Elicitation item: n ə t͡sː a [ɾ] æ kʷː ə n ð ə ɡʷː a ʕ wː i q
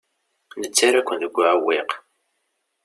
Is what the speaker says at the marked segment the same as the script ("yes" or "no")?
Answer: yes